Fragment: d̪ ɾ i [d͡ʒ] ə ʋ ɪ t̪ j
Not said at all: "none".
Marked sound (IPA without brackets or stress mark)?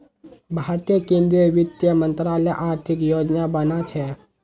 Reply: none